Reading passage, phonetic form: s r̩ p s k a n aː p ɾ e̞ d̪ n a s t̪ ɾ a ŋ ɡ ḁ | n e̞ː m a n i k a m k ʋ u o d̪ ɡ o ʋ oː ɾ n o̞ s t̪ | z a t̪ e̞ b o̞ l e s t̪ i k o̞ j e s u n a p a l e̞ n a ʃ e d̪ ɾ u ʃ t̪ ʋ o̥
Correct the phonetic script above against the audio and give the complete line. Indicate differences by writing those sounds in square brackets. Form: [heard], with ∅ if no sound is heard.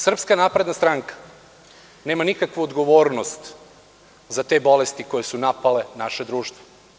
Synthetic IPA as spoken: s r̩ p s k a n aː p ɾ e̞ d̪ n a s t̪ ɾ a ŋ [k] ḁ | n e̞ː m a n i k a [∅] k ʋ u o d̪ ɡ o ʋ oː ɾ n o̞ s t̪ | z a t̪ e̞ b o̞ l e s t̪ i k o̞ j e s u n a p a l e̞ n a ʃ e d̪ ɾ [uː] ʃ t̪ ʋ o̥